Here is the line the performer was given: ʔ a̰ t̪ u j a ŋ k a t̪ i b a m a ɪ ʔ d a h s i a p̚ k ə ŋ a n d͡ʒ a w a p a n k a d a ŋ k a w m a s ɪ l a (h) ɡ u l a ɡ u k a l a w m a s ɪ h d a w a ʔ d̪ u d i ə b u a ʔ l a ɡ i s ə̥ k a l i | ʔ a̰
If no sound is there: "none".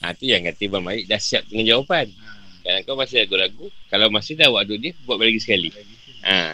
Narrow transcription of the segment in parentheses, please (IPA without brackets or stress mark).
none